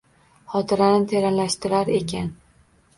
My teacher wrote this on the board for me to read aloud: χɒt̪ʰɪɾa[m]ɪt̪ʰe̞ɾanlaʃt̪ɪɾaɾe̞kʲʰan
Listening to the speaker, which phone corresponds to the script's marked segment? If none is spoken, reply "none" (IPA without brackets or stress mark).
n